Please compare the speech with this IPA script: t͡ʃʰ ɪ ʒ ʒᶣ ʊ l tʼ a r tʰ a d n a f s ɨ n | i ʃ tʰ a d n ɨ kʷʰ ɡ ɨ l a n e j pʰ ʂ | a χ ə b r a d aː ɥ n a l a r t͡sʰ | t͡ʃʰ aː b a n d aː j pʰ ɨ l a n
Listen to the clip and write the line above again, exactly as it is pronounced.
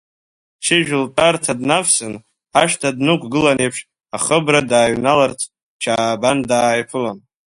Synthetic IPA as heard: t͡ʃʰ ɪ ʒ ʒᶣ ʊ l tʼ a r tʰ a d n a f s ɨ n | a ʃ tʰ a d n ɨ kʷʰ ɡ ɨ l a n e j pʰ ʂ | a χ ə b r a d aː ɥ n a l a r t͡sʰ | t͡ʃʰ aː b a n d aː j pʰ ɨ l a n